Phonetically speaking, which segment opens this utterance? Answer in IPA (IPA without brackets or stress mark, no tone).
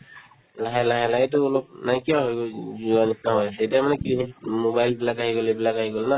l